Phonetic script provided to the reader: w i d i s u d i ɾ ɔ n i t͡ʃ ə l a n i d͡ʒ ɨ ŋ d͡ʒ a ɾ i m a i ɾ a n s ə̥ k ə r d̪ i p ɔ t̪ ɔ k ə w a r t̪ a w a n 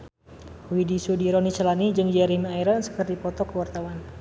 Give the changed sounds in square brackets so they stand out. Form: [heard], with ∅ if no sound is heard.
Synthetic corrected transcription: w i d i s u d i ɾ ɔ n i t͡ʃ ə l a n i d͡ʒ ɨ ŋ d͡ʒ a ɾ i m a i ɾ a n s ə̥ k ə r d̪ i p ɔ t̪ ɔ k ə w a r t̪ a w a n

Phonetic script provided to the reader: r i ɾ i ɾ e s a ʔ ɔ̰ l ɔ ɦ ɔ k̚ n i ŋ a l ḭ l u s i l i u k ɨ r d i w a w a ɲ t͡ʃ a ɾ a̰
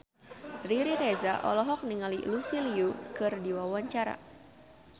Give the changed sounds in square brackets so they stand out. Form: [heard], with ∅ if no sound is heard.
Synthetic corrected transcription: r i ɾ i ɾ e [z] a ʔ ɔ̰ l ɔ ɦ ɔ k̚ n i ŋ a l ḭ l u s i l i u k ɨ r d i w a w a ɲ t͡ʃ a ɾ a̰

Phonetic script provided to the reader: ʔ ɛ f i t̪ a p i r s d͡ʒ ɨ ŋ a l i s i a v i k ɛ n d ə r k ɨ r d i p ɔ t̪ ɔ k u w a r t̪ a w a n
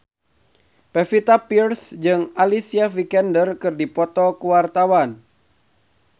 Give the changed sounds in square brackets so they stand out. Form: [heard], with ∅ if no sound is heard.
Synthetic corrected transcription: [p] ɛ f i t̪ a p i r s d͡ʒ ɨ ŋ a l i s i a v i k ɛ n d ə r k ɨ r d i p ɔ t̪ ɔ k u w a r t̪ a w a n

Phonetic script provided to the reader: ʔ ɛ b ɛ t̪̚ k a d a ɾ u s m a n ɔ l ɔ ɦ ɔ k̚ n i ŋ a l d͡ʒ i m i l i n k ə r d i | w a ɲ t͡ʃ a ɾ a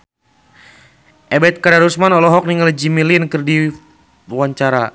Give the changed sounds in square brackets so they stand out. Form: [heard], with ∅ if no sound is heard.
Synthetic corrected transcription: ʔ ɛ b ɛ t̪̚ k a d a ɾ u s m a n ɔ l ɔ ɦ ɔ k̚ n i ŋ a l d͡ʒ i m i l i n k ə r d i | w a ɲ t͡ʃ a ɾ a

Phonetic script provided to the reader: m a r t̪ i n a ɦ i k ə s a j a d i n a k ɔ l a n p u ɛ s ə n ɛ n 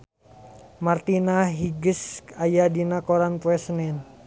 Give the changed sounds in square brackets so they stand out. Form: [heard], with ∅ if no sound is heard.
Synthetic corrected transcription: m a r t̪ i n a ɦ i [ɡ] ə s a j a d i n a k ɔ [ɾ] a n p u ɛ s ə n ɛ n

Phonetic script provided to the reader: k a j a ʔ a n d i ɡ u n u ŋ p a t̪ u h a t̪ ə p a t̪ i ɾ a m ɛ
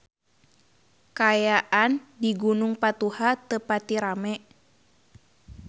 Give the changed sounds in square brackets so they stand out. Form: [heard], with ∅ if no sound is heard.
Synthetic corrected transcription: k a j a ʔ a n d i ɡ u n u ŋ p a t̪ u h a t̪ ə p a t̪ i ɾ a m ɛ

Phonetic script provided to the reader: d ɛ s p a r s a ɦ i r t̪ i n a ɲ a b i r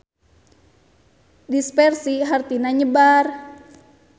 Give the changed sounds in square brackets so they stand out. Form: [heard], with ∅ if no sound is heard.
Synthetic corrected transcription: d [i] s p [ɛ] r s [i] ɦ [a] r t̪ i n a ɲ [ə] b [a] r

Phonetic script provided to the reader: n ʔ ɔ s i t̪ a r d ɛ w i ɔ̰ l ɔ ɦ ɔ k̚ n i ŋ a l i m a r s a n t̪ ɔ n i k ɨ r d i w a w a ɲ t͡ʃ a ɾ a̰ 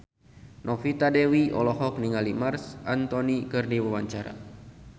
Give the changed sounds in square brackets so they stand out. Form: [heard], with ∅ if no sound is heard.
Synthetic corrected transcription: n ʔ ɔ [f] i t̪ a [∅] d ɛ w i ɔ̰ l ɔ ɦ ɔ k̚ n i ŋ a l i m a r s a n t̪ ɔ n i k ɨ r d i w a w a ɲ t͡ʃ a ɾ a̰

